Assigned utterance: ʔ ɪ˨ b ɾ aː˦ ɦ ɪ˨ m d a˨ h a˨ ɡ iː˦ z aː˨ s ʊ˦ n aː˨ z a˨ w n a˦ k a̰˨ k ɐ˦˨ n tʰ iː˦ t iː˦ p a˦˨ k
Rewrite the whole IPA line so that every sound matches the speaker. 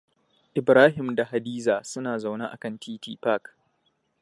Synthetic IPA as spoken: ʔ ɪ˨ b ɾ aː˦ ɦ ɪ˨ m d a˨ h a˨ d iː˦ z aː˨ s ʊ˦ n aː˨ z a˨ w n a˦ ʔ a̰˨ k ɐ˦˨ n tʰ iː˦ t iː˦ p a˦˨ k